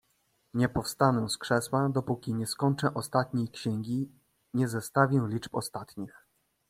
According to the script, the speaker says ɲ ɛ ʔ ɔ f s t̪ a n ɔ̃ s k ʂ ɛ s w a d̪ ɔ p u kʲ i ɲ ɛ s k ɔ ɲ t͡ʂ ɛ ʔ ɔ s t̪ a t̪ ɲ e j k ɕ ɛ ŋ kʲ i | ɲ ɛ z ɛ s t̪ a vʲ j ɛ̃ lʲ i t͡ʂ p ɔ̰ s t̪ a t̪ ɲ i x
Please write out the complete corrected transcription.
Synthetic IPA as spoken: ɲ ɛ p ɔ f s t̪ a n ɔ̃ s k ʂ ɛ s w a d̪ ɔ p u kʲ i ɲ ɛ s k ɔ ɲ t͡ʂ ɛ ʔ ɔ s t̪ a t̪ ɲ e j k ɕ ɛ ŋ ɡʲ i | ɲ ɛ z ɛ s t̪ a vʲ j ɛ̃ lʲ i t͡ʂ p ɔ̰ s t̪ a t̪ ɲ i x